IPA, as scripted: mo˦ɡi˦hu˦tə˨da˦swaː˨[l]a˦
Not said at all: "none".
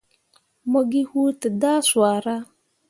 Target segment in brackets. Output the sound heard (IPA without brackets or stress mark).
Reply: ɾ